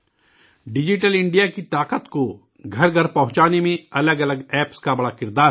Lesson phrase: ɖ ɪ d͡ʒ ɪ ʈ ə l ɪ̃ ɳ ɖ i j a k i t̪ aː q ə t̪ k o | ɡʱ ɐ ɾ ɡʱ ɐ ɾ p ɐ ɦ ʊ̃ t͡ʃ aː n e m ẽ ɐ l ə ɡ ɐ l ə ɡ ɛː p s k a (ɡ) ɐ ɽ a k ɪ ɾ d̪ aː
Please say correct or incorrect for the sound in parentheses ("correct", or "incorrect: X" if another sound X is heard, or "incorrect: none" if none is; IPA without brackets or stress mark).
incorrect: b